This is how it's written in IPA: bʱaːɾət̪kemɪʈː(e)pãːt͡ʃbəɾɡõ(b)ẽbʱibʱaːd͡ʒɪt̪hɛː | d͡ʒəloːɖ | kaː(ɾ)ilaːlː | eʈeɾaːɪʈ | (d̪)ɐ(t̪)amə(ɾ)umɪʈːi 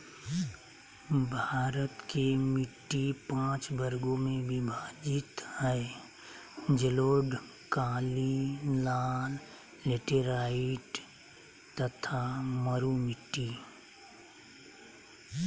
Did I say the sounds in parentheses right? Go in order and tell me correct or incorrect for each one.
incorrect: i, incorrect: m, incorrect: l, incorrect: t̪, incorrect: t̪ʰ, correct

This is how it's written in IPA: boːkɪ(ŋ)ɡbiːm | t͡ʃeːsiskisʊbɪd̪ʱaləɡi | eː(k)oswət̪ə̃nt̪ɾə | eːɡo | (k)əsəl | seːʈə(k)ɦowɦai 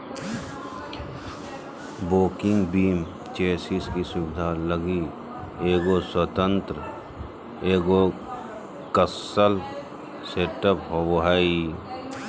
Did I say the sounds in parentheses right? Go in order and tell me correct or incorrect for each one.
correct, incorrect: ɡ, correct, incorrect: p

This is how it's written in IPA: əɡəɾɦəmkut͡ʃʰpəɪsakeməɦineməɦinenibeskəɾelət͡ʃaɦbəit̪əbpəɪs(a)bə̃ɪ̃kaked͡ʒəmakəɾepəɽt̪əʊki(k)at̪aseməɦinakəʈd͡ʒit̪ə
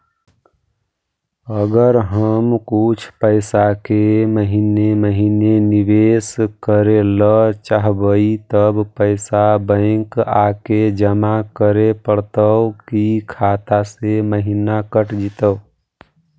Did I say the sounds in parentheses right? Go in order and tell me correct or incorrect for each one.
correct, incorrect: kʰ

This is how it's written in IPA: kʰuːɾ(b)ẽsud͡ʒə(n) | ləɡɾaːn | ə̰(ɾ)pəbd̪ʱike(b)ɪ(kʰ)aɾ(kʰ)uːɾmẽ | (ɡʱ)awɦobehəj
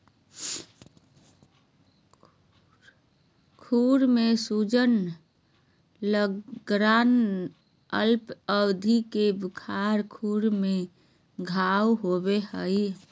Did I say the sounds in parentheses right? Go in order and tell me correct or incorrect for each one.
incorrect: m, correct, incorrect: l, correct, correct, correct, correct

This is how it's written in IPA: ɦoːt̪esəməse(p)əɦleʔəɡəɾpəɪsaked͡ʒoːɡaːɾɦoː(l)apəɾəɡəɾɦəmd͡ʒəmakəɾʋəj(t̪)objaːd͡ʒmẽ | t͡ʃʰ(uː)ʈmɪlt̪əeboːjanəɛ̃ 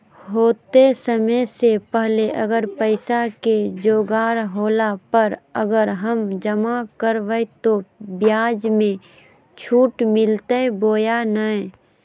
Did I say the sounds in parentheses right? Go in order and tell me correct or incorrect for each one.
correct, correct, correct, correct

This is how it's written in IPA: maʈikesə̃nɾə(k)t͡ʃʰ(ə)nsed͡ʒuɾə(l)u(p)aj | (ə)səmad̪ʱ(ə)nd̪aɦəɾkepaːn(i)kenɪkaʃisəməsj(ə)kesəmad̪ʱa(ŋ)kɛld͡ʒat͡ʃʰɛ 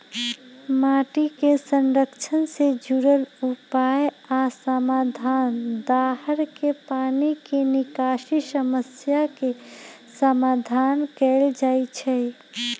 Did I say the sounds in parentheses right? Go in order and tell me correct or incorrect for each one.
correct, correct, correct, correct, incorrect: a, incorrect: a, correct, incorrect: a, incorrect: n

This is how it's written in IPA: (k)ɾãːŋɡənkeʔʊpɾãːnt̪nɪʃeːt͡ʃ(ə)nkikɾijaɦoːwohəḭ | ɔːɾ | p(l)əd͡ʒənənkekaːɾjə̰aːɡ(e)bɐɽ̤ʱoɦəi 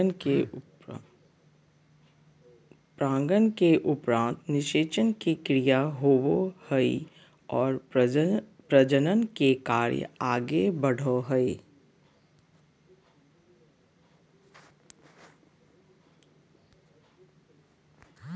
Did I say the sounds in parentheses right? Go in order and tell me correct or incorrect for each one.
incorrect: p, correct, incorrect: ɾ, correct

